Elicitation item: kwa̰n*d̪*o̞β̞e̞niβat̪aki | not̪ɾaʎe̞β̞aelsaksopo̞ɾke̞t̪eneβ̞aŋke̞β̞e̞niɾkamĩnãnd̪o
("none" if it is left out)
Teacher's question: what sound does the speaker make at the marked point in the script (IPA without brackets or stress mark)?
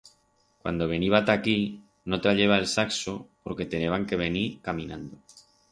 d̪